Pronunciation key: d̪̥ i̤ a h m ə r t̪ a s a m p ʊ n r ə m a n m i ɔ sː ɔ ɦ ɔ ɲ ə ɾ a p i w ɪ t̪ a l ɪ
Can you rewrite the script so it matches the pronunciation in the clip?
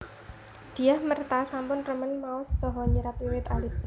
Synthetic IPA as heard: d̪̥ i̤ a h m ə r t̪ a s a m p ʊ n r ə m ə n m a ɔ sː ɔ ɦ ɔ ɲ ə ɾ a p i w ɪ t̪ a l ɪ

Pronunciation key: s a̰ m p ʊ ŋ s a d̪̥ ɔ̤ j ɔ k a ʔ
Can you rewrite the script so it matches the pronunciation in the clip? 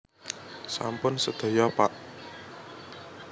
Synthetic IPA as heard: s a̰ m p ʊ n s ə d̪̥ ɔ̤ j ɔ p a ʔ

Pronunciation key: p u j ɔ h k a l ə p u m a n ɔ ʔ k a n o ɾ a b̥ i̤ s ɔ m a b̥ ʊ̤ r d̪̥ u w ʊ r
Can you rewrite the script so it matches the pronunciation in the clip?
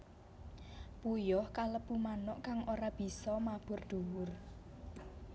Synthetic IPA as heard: p u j ɔ h k a l ə p u m a n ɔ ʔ k a ŋ o ɾ a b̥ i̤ s ɔ m a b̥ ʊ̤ r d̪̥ u w ʊ r

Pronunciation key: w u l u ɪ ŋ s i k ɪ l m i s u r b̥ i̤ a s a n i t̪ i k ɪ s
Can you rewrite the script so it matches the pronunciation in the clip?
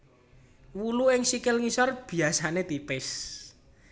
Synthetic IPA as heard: w u l u ɪ ŋ s i k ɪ l ŋ i s ɔ r b̥ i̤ a s a n e t̪ i p ɪ s

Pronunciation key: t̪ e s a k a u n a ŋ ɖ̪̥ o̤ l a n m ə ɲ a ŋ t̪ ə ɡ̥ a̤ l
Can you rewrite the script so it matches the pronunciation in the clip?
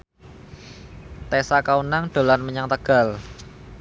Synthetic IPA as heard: t̪ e s a k a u n a ŋ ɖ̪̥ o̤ l a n m ə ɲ a ŋ t̪ ə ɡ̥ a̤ l

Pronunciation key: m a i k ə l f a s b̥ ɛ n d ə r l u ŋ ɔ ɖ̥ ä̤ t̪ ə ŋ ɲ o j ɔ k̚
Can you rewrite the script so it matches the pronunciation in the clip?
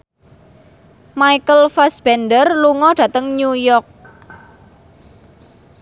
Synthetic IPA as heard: m a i k ə l f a s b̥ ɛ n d ə r l u ŋ ɔ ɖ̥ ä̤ t̪ ə ŋ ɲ u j ɔ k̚

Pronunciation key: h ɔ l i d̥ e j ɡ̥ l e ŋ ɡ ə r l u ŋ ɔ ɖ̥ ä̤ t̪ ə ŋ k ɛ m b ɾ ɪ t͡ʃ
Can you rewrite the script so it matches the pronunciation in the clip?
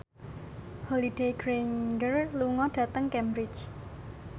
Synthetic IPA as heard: h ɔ l i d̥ e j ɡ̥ ɾ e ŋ ɡ ə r l u ŋ ɔ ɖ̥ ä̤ t̪ ə ŋ k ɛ m b ɾ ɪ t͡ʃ

